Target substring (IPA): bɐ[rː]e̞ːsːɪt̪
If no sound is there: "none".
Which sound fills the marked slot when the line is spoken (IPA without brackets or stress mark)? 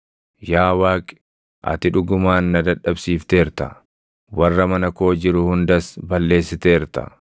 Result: lː